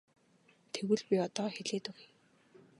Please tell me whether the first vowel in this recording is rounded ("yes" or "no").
no